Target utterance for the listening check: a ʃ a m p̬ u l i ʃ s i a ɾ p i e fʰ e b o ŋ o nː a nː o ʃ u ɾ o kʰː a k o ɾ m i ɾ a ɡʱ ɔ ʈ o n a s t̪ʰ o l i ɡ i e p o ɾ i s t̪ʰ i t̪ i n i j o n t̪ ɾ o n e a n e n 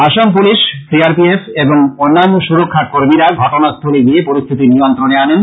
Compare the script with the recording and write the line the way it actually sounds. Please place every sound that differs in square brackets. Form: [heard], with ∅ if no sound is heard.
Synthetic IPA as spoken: a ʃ a m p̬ u l i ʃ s i a ɾ p i e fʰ e b o ŋ o nː a nː o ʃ u ɾ o kʰː a k o ɾ m i ɾ a ɡʱ ɔ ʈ o n a s t̪ʰ o l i ɡ i e p o ɾ i s t̪ʰ i t̪ i n i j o n t̪ ɾ o n e a n e n